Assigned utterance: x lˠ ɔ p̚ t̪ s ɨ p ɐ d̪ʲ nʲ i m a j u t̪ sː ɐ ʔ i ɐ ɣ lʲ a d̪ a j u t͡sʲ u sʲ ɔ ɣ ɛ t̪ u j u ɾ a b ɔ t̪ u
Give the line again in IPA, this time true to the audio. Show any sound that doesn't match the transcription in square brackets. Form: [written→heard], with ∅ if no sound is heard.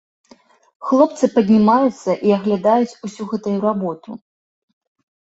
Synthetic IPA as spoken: x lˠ ɔ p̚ t̪ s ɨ p ɐ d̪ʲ nʲ i m a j u t̪ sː ɐ ʔ i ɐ ɣ lʲ a d̪ a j u t͡sʲ u sʲ [ɔ→u] ɣ ɛ t̪ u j u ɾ a b ɔ t̪ u